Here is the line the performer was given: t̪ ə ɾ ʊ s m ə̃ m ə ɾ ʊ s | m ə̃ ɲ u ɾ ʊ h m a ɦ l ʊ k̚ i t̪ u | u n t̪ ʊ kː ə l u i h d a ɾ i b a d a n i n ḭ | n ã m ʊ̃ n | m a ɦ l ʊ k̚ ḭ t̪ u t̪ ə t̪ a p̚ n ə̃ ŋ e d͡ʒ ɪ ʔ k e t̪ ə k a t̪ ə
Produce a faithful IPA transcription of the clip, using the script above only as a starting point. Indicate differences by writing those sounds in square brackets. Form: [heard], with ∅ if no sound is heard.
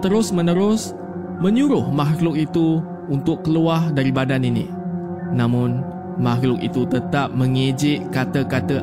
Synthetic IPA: t̪ ə ɾ ʊ s m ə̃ [n] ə ɾ ʊ s | m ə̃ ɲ u ɾ ʊ h m a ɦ l ʊ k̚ i t̪ u | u n t̪ ʊ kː ə l u [a] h d a ɾ i b a d a n i n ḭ | n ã m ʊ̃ n | m a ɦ l ʊ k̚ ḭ t̪ u t̪ ə t̪ a p̚ [m] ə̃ ŋ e d͡ʒ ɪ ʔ k [a] t̪ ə k a t̪ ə